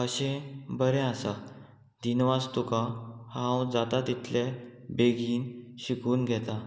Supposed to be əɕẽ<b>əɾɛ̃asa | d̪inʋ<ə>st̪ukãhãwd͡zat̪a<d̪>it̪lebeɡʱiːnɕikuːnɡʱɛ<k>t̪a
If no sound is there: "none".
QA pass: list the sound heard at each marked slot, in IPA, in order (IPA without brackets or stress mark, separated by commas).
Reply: b, a, t̪, none